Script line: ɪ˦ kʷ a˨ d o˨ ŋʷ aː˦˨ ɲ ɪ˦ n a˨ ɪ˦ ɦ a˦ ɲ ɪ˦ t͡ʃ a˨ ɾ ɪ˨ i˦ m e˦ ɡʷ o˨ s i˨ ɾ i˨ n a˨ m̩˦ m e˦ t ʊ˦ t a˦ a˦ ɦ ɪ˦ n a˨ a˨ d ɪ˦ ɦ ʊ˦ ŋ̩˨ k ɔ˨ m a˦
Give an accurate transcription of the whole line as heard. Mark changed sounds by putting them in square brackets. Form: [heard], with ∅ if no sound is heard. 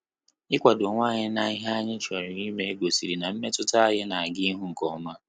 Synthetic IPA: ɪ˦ kʷ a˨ d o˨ ŋʷ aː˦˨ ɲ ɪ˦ n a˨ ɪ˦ ɦ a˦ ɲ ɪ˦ t͡ʃ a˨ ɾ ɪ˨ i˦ m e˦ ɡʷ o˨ s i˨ ɾ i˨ n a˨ m̩˦ m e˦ t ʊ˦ t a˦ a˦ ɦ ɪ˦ n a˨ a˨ [ɡ] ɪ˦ ɦ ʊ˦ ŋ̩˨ k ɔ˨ m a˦